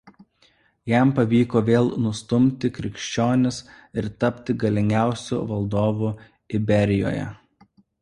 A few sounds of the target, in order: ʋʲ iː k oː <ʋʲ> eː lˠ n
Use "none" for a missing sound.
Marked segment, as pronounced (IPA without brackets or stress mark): ʋʲ